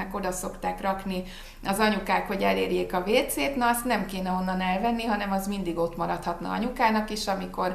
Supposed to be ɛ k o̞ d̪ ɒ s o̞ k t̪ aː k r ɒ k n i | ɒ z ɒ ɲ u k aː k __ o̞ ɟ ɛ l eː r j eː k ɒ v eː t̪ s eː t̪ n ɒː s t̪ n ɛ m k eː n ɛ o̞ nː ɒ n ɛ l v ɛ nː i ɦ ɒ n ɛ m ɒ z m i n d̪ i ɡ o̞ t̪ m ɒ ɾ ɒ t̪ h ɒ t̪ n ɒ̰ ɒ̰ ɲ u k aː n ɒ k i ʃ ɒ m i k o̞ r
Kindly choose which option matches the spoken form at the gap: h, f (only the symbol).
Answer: h